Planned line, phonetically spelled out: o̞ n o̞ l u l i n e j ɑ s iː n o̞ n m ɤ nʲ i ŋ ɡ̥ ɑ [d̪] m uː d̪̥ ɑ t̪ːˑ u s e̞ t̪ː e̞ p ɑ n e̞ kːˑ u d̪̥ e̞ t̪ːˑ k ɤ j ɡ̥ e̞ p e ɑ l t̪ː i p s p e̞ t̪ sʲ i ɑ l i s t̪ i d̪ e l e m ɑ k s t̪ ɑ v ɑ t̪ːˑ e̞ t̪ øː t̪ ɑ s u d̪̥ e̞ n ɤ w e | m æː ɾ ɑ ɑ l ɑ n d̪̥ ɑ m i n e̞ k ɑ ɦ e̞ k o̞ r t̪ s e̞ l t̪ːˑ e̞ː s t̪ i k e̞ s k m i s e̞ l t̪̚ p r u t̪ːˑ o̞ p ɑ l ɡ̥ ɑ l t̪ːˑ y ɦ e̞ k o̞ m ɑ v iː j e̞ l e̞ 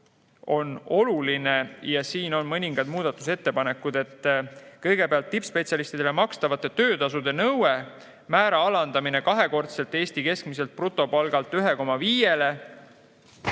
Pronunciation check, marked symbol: correct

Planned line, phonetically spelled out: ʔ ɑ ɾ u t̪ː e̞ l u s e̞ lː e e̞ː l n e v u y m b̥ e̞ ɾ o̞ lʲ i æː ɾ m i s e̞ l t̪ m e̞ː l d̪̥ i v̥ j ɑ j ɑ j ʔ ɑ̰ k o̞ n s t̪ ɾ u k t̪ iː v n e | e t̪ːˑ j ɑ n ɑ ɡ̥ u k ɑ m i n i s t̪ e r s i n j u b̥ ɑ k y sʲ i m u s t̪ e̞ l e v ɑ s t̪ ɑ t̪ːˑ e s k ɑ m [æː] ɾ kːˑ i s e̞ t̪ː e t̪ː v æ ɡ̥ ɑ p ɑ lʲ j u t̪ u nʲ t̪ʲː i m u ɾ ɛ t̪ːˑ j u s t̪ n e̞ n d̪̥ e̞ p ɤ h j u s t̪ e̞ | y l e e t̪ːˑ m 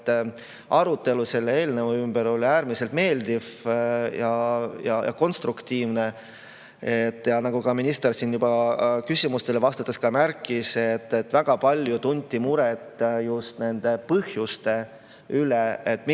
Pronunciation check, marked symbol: incorrect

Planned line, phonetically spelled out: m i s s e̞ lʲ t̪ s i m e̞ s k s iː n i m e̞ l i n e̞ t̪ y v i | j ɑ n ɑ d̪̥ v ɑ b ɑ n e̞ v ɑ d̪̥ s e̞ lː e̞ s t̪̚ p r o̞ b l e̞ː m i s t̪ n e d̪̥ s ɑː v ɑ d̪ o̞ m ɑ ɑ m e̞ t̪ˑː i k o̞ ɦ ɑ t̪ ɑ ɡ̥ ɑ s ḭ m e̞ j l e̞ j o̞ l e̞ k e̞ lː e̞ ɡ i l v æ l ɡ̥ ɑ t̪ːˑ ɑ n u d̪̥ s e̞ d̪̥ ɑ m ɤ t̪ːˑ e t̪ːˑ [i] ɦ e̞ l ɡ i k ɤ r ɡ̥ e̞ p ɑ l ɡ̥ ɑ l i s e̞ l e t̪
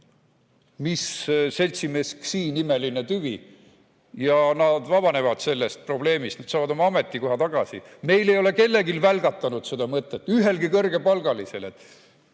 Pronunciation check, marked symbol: incorrect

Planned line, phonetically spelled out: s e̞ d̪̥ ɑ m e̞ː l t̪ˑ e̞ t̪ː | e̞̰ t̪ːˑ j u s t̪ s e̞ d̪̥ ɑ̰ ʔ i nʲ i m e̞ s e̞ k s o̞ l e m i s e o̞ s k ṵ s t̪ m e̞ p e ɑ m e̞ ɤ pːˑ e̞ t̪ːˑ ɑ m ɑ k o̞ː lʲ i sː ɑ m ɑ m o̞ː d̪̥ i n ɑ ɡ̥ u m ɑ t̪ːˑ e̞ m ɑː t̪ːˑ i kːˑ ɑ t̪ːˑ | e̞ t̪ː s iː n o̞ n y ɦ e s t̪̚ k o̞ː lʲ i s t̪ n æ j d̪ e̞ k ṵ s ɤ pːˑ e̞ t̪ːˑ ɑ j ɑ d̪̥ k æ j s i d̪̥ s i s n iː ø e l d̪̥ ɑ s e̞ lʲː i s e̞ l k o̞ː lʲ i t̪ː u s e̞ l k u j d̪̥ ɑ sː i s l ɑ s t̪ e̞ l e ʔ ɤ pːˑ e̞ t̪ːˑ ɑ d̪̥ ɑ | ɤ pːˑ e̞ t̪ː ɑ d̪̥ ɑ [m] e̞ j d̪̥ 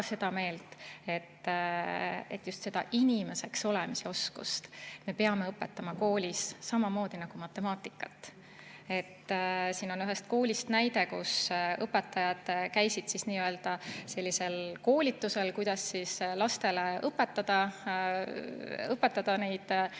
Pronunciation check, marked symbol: incorrect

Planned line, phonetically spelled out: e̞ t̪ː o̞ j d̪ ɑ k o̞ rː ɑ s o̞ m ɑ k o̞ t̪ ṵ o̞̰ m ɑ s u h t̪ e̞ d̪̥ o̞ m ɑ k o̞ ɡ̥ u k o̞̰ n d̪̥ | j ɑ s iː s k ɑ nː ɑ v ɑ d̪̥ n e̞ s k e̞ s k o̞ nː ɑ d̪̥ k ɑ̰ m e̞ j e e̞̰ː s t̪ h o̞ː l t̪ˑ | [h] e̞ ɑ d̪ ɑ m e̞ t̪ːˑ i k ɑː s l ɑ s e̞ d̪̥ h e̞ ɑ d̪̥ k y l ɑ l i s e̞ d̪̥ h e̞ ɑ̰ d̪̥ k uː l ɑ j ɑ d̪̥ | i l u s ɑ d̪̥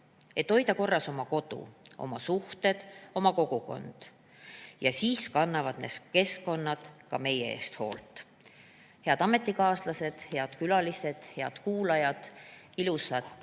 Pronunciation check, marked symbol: correct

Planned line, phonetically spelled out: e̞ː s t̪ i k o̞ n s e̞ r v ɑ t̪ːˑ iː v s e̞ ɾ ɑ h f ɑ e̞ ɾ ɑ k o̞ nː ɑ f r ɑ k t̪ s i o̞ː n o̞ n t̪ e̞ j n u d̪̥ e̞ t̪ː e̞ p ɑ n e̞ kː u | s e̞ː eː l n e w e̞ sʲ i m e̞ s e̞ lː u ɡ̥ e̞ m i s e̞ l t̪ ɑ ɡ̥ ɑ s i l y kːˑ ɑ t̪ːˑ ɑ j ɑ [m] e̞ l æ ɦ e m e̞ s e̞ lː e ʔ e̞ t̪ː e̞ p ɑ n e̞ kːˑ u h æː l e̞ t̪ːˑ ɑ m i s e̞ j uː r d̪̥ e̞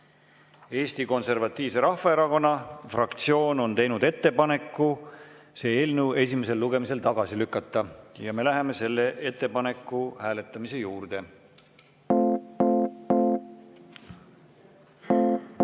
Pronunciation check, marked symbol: correct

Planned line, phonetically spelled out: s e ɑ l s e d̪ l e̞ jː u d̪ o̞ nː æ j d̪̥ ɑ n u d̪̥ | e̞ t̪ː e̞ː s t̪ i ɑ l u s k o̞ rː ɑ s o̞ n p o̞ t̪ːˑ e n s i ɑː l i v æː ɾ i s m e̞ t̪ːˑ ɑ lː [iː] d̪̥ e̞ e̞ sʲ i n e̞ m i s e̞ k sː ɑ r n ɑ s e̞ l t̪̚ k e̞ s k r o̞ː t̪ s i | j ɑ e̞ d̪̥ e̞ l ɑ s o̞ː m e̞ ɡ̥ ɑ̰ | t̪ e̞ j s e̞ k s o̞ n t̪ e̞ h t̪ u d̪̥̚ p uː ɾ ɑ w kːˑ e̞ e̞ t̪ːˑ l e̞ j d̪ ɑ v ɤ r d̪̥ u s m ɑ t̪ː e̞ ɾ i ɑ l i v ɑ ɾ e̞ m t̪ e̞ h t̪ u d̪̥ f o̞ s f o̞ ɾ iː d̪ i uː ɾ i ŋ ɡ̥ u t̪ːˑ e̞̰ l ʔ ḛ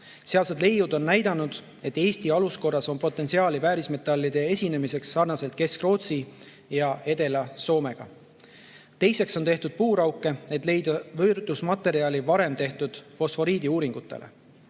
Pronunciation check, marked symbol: incorrect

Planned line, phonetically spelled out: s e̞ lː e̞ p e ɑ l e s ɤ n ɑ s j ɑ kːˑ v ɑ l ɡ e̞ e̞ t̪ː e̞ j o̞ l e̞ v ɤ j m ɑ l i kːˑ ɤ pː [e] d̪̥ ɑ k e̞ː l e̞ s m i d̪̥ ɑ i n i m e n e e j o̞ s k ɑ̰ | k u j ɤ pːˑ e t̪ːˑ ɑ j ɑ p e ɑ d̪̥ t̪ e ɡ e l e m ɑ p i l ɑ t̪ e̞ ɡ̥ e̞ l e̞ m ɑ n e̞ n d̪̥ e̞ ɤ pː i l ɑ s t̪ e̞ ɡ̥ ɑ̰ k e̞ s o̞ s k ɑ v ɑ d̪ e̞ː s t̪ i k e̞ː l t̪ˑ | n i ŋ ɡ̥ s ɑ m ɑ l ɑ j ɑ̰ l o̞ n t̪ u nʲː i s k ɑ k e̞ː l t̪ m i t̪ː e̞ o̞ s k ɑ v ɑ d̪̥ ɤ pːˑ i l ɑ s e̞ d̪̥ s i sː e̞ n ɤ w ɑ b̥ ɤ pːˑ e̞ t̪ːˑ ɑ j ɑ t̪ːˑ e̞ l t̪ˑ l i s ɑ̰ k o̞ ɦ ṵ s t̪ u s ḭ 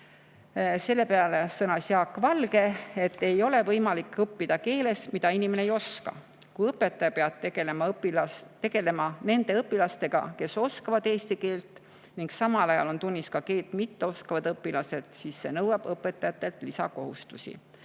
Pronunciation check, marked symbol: incorrect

